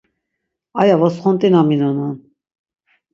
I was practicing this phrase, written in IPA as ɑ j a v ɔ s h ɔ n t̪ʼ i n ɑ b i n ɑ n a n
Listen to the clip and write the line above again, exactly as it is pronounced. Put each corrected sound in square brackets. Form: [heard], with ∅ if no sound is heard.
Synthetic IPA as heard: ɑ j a v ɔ s [χ] ɔ n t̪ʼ i n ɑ [m] i n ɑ n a n

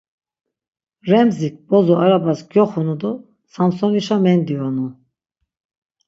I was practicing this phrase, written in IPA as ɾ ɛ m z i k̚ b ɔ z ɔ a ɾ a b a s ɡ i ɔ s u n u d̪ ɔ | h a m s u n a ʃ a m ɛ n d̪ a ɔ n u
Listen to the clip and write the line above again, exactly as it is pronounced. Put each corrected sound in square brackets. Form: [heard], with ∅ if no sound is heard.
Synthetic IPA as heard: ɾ ɛ m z i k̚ b ɔ z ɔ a ɾ a b a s ɡ [j] ɔ [χ] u n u d̪ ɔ | [s] a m s [ɔ] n [i] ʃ a m ɛ n d̪ [i] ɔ n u

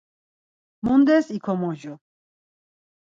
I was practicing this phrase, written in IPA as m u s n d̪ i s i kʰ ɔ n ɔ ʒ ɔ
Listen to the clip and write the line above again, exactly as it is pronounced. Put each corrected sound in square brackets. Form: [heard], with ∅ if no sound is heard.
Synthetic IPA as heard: m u [∅] n d̪ [ɛ] s i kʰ ɔ [m] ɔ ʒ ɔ

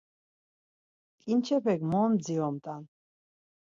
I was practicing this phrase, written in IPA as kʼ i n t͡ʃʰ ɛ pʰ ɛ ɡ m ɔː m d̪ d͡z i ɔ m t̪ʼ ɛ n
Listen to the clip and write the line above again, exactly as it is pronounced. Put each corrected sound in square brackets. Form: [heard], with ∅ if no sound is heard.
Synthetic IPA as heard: kʼ i n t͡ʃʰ ɛ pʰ ɛ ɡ m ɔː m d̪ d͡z i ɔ m t̪ʼ [a] n

